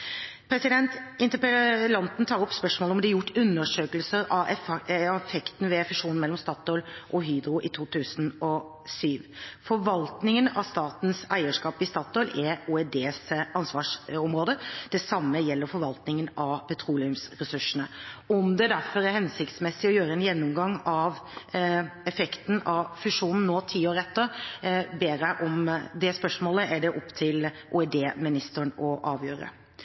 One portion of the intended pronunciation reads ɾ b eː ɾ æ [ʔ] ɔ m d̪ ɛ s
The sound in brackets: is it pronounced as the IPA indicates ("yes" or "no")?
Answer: yes